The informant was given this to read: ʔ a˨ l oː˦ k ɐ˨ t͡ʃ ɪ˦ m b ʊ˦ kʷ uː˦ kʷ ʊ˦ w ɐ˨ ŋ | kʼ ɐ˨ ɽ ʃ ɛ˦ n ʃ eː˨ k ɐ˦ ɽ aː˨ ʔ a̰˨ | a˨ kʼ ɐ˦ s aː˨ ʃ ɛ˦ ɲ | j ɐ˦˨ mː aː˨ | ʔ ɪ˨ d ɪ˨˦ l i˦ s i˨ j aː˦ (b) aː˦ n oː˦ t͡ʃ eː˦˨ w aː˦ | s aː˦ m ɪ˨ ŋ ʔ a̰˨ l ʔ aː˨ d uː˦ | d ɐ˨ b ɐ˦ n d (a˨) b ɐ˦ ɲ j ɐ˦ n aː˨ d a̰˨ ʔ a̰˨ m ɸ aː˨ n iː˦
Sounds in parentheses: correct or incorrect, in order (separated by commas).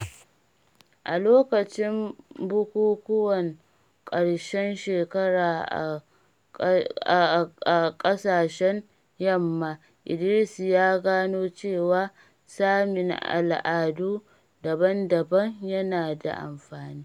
incorrect, incorrect